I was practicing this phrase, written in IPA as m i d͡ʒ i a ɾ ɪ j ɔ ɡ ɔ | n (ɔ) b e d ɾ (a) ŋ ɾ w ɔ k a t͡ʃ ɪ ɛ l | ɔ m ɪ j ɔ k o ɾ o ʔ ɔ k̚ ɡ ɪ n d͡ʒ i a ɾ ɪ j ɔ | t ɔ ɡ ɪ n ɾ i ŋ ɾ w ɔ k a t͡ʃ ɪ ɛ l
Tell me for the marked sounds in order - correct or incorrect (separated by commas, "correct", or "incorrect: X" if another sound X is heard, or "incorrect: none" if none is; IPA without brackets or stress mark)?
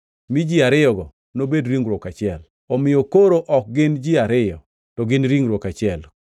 incorrect: o, incorrect: i